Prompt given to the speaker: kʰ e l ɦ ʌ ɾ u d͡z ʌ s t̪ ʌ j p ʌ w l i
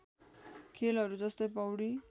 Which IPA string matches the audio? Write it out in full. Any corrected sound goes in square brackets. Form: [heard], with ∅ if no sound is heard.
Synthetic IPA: kʰ e l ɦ ʌ ɾ u d͡z ʌ s t̪ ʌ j p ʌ w [ɽ] i